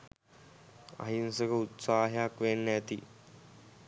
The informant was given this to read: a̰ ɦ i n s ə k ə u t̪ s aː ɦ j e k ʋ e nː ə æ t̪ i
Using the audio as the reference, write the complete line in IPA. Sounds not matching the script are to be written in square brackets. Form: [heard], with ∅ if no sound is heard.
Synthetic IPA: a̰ ɦ i n s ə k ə u t̪ s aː ɦ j [a] k ʋ e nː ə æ t̪ i